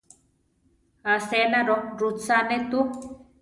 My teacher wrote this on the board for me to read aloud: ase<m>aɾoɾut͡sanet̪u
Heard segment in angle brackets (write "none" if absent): n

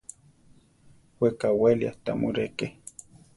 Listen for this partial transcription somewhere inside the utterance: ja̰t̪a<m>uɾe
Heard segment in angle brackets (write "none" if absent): m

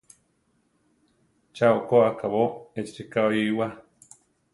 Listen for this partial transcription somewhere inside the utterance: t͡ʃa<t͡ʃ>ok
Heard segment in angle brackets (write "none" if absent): none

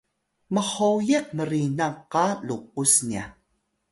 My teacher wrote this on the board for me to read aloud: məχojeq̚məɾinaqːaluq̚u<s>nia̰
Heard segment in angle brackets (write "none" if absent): s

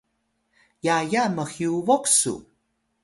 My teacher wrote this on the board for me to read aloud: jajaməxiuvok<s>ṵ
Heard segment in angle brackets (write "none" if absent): s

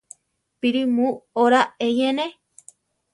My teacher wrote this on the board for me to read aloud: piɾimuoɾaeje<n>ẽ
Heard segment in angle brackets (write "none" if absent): n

